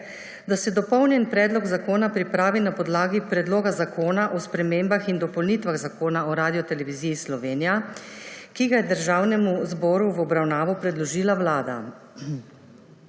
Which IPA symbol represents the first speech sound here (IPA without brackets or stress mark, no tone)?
d̪